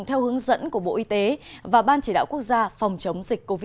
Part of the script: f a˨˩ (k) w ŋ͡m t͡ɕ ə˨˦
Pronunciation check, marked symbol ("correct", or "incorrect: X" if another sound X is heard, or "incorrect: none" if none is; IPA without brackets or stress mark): incorrect: none